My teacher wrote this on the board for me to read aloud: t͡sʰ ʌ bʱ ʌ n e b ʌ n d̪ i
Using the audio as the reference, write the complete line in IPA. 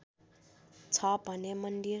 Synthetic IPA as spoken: t͡sʰ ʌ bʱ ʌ n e m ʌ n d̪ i